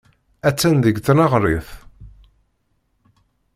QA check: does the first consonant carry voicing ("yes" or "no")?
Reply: no